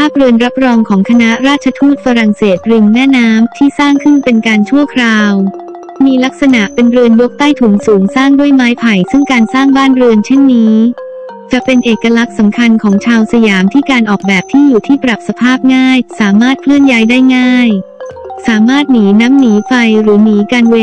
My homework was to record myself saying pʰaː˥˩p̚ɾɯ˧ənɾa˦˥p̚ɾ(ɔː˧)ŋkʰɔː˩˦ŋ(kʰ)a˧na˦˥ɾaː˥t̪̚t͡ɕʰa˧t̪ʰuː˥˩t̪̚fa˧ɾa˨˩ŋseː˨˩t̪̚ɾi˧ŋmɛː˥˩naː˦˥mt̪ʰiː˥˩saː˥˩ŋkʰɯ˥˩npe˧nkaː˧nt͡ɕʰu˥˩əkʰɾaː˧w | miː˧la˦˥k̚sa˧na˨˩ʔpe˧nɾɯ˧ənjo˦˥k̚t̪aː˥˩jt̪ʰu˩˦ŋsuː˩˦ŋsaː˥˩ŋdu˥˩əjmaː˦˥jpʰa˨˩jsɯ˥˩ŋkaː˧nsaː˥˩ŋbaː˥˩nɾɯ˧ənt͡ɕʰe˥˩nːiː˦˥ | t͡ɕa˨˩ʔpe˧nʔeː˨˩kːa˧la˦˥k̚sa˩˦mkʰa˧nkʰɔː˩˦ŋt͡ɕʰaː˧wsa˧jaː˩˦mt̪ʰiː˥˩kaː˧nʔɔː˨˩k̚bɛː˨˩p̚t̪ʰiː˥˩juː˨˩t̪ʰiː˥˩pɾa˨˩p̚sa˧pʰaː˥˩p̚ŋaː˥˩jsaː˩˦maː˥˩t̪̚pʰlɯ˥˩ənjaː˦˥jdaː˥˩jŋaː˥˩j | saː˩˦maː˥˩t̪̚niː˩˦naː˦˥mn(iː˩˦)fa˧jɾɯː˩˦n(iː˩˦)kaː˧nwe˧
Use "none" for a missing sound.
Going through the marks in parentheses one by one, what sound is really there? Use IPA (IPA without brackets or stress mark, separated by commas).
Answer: ɔː˧, kʰ, iː˩˦, iː˩˦